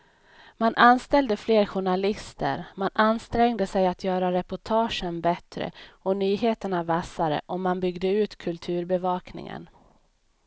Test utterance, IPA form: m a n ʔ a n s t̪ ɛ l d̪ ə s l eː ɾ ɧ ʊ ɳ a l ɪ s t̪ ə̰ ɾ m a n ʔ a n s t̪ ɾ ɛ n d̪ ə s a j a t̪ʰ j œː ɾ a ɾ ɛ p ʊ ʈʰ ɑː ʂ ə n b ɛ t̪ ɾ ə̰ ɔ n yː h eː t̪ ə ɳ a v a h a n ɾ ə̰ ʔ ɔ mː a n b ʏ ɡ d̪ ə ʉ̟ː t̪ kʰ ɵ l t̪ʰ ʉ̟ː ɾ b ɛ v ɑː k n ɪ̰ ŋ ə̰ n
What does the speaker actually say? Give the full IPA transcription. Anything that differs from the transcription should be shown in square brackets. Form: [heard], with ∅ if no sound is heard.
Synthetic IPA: m a n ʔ a n s t̪ ɛ l d̪ ə [f] l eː ɾ ɧ ʊ ɳ a l ɪ s t̪ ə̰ ɾ m a n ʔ a n s t̪ ɾ ɛ [ŋ] d̪ ə s [ɛ] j a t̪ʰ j œː ɾ a ɾ ɛ p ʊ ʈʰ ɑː ʂ ə n b ɛ t̪ ɾ ə̰ ɔ n yː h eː t̪ ə ɳ a v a [s] a [∅] ɾ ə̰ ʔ ɔ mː a n b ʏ ɡ d̪ ə ʉ̟ː t̪ kʰ ɵ l t̪ʰ ʉ̟ː ɾ b ɛ v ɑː k n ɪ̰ ŋ ə̰ n